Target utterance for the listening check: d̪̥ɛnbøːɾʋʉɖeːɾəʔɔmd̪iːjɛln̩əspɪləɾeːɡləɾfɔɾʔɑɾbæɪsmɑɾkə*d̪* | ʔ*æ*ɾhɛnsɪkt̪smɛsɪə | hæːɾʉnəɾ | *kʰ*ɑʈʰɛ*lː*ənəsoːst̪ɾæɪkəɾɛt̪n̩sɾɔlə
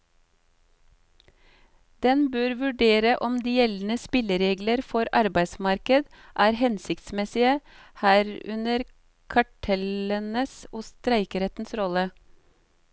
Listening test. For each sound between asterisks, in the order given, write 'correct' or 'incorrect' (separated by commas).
correct, incorrect, correct, incorrect